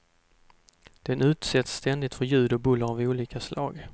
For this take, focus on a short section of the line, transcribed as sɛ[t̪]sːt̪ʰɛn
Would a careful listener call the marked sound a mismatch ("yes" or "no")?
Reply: no